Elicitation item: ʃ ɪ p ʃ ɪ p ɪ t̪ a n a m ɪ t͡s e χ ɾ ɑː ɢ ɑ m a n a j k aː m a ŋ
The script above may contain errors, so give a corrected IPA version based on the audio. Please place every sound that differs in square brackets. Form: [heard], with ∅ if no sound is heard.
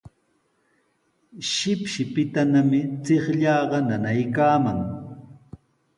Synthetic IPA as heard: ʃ ɪ p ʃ ɪ p ɪ t̪ a n a m ɪ t͡s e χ [ʎ] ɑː ɢ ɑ [n] a n a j k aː m a ŋ